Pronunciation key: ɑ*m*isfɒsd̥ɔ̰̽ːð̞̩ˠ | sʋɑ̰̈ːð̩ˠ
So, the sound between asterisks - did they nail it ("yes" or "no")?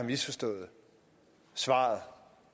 yes